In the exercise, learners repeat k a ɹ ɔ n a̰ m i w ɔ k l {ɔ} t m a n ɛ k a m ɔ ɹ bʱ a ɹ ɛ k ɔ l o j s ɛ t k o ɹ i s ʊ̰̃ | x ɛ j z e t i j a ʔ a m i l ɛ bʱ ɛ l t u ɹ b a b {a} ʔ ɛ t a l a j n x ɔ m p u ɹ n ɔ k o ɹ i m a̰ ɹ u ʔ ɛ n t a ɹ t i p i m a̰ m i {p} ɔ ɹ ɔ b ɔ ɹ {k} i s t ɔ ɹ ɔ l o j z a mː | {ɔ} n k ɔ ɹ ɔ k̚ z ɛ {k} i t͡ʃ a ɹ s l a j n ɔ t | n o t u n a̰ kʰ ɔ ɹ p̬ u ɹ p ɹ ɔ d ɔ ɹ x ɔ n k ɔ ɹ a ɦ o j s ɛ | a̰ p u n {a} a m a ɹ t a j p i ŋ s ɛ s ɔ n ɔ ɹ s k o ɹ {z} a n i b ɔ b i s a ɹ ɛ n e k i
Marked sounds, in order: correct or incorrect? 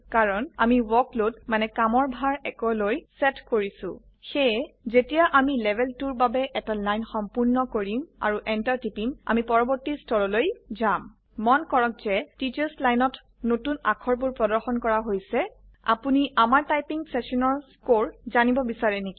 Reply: incorrect: o, incorrect: ɛ, correct, incorrect: t, correct, incorrect: t, incorrect: i, correct

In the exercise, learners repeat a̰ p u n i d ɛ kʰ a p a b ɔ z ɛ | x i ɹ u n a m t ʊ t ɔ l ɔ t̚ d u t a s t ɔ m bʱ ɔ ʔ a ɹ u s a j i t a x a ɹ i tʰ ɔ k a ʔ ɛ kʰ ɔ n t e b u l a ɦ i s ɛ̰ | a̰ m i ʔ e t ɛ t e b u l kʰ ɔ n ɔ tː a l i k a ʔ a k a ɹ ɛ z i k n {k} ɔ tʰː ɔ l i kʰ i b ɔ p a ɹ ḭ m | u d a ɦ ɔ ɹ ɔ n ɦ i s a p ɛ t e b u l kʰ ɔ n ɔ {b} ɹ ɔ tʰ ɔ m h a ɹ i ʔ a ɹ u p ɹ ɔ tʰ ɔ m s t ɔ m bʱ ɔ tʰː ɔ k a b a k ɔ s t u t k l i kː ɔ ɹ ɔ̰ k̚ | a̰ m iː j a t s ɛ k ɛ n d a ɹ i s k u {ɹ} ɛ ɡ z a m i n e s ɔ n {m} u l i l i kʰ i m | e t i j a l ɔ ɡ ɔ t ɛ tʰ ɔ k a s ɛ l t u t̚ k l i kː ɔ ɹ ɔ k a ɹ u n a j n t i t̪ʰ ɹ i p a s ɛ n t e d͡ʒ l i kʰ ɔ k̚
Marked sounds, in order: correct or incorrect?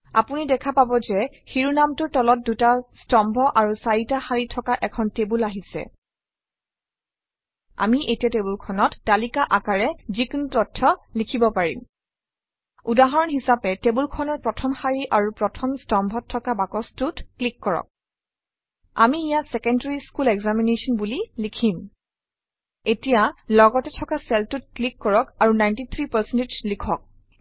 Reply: incorrect: t, incorrect: p, incorrect: l, incorrect: b

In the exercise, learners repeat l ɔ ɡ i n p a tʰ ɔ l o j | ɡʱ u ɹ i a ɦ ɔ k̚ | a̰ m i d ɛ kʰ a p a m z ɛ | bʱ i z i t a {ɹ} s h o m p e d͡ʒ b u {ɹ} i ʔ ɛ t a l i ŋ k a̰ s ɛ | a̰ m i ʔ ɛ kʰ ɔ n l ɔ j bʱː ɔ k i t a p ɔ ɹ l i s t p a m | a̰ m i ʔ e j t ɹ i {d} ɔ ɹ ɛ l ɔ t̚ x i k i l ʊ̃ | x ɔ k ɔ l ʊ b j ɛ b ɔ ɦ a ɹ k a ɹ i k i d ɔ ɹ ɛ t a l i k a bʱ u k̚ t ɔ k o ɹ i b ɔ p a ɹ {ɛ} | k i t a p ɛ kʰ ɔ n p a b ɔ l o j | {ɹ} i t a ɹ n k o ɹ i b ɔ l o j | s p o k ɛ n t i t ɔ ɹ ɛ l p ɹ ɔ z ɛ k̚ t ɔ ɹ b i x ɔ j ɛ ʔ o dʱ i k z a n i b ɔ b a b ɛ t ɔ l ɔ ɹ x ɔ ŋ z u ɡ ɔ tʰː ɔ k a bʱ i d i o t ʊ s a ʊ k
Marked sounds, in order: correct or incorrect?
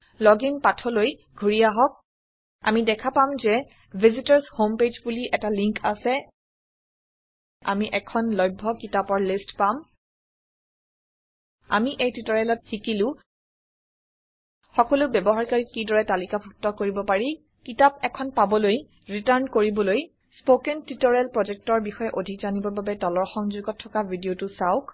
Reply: correct, incorrect: l, incorrect: t, incorrect: i, correct

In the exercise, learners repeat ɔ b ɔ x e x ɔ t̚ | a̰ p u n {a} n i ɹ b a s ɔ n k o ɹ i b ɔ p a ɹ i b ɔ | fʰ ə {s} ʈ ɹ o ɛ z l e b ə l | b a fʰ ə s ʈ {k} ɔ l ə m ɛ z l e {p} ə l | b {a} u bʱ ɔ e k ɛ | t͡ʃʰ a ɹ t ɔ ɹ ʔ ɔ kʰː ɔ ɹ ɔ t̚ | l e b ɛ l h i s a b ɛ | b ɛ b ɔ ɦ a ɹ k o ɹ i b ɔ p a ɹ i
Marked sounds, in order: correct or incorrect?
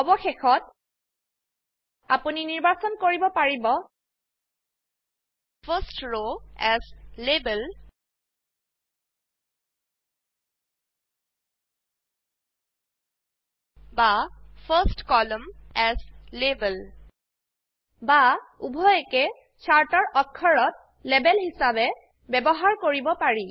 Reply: incorrect: i, correct, correct, incorrect: b, correct

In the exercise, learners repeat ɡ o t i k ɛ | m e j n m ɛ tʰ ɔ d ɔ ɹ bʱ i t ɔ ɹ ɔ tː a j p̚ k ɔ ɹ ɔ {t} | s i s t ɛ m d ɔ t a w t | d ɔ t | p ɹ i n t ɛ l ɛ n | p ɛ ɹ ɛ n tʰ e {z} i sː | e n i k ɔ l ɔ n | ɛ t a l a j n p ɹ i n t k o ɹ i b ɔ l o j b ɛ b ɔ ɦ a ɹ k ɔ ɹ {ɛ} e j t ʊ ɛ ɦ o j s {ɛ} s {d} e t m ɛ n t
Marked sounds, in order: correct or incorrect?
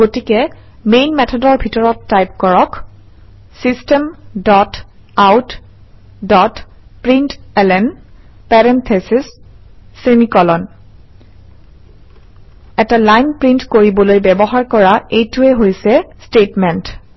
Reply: incorrect: k, incorrect: s, incorrect: a, correct, incorrect: t

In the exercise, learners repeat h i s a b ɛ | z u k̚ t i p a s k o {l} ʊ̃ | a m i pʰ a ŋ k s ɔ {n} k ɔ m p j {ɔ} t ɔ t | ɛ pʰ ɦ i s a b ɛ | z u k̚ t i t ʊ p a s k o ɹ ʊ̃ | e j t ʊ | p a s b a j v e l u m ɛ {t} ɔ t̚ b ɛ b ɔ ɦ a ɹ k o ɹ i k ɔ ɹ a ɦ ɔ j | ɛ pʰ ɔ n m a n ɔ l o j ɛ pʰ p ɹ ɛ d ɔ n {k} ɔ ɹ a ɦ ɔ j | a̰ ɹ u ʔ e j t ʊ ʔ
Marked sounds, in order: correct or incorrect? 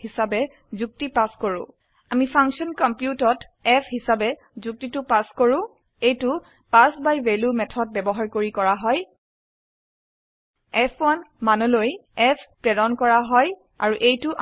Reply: incorrect: ɹ, correct, incorrect: u, incorrect: tʰ, correct

